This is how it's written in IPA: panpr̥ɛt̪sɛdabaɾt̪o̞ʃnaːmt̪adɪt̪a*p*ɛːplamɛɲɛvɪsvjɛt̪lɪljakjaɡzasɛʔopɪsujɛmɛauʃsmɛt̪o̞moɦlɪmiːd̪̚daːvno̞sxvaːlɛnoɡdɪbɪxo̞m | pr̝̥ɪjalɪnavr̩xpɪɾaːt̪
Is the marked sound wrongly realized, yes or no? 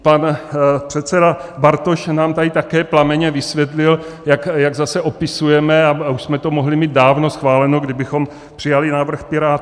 yes